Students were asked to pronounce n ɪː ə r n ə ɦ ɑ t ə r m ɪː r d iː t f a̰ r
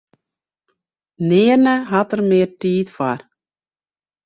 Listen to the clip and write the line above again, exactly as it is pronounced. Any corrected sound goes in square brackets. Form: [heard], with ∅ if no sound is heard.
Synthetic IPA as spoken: n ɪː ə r n ə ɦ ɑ t ə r m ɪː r [t] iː t f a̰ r